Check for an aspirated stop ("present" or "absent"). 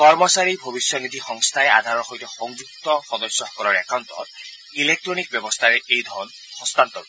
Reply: present